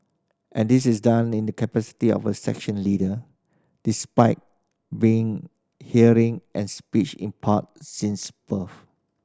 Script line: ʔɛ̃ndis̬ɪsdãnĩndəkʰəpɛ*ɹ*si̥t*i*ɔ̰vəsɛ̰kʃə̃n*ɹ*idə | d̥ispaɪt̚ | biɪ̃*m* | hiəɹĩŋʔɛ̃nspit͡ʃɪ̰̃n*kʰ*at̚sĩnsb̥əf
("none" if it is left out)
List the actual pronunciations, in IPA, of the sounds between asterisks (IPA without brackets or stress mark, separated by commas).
none, i, l, ŋ, pʰ